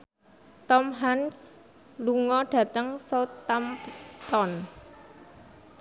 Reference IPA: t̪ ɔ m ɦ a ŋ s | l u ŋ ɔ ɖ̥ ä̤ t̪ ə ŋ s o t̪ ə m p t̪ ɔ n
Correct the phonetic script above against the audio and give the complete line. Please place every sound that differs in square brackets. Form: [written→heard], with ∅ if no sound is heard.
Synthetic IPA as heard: t̪ ɔ m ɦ a [ŋ→n] s | l u ŋ ɔ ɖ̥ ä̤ t̪ ə ŋ s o t̪ [ə→a] m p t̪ ɔ n